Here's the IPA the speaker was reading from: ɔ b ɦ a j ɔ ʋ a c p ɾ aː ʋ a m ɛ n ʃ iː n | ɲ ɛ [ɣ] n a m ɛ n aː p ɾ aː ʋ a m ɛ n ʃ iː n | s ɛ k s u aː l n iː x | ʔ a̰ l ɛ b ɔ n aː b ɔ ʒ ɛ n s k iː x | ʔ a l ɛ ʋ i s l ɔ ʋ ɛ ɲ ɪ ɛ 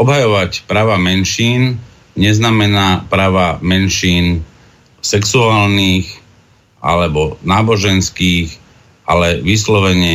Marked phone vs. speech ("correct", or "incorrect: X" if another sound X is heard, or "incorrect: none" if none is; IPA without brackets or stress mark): incorrect: z